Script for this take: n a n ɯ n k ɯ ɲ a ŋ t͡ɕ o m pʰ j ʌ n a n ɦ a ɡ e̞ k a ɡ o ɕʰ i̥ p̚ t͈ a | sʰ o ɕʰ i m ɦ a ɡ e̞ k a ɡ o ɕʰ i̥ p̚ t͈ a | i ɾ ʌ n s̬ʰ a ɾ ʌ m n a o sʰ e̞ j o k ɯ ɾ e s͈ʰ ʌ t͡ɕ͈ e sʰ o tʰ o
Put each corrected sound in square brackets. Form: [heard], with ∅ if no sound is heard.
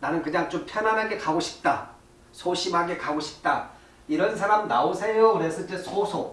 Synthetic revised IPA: n a n ɯ n k ɯ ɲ a ŋ t͡ɕ o m pʰ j ʌ n a n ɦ a ɡ e̞ k a ɡ o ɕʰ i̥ p̚ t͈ a | sʰ o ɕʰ i m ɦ a ɡ e̞ k a ɡ o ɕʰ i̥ p̚ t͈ a | i ɾ ʌ n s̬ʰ a ɾ [a] m n a o sʰ e̞ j o k ɯ ɾ e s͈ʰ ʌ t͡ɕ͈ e sʰ o [sʰ] o